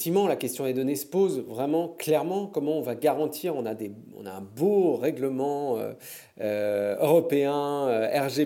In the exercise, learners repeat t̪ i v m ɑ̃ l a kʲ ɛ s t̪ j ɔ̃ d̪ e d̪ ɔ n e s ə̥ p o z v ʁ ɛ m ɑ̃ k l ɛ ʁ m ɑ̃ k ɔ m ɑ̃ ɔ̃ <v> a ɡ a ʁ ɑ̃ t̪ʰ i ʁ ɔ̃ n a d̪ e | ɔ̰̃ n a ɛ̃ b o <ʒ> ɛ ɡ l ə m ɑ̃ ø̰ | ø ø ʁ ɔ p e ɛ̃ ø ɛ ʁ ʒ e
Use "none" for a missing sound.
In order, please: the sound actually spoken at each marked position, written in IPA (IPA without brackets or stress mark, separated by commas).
v, ʁ